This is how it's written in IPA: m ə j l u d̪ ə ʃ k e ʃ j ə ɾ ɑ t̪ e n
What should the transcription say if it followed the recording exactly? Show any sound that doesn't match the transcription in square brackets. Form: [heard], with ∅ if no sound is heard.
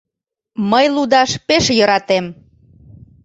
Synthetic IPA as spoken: m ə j l u d̪ [ɑ] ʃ [p] e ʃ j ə ɾ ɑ t̪ e [m]

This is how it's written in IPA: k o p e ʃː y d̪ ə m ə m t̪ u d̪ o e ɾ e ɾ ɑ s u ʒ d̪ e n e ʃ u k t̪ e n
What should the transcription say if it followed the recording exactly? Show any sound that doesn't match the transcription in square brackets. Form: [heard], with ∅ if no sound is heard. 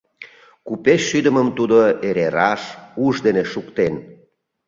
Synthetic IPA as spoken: k [u] p e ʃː y d̪ ə m ə m t̪ u d̪ o e ɾ e ɾ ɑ [ʃ] u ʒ d̪ e n e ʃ u k t̪ e n

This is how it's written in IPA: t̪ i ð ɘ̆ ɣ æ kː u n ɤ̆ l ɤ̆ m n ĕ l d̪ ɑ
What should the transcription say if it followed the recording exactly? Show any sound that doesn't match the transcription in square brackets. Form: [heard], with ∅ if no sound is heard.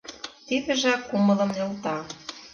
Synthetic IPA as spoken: t̪ i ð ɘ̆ [ʒ] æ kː u [m] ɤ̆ l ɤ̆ m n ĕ l [t̪] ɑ

